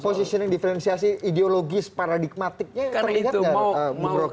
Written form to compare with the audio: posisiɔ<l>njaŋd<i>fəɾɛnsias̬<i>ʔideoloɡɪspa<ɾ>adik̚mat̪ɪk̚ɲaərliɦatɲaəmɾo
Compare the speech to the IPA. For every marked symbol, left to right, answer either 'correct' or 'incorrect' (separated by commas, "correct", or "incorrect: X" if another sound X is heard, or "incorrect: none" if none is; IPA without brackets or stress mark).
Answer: incorrect: none, correct, correct, correct